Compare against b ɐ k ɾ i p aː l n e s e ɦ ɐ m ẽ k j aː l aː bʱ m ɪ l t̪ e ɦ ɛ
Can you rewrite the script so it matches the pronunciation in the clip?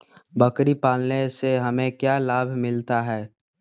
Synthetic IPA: b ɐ k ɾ i p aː l n e s e ɦ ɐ m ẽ k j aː l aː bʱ m ɪ l t̪ a ɦ ɛː